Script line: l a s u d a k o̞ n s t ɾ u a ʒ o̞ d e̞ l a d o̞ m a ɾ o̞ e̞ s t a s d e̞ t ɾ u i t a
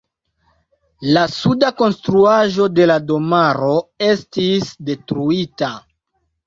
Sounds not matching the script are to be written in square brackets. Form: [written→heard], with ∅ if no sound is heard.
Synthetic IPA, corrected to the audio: l a s u d a k o̞ n s t ɾ u a ʒ o̞ d e̞ l a d o̞ m a ɾ o̞ e̞ s t [a→i] s d e̞ t ɾ u i t a